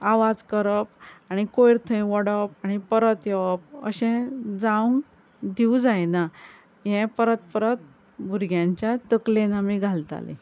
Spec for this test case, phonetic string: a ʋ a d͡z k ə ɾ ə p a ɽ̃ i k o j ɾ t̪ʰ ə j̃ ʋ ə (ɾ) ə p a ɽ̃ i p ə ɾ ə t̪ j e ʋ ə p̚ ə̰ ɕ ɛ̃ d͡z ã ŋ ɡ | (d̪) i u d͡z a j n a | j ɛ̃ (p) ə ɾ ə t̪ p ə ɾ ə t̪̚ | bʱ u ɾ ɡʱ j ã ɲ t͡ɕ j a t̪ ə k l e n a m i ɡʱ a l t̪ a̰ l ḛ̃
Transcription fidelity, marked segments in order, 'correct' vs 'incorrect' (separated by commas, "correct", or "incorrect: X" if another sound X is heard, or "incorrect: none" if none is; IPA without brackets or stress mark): incorrect: ɽ, correct, correct